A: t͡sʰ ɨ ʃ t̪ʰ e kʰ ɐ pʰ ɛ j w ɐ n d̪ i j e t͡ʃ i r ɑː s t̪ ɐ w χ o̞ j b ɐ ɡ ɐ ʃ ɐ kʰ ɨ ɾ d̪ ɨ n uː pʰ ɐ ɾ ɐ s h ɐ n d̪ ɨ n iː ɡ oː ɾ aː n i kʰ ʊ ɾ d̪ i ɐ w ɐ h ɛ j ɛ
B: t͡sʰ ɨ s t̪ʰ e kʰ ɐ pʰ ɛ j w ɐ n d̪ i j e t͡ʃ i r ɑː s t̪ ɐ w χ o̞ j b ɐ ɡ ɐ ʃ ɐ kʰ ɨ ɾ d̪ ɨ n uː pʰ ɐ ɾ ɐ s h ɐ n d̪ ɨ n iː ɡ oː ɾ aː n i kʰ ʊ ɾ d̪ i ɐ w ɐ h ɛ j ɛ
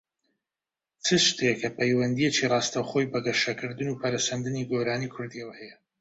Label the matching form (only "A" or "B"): A